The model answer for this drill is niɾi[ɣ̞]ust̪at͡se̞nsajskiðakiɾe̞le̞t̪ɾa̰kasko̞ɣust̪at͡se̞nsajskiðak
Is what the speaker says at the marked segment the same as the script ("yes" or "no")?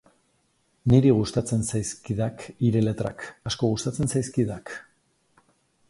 yes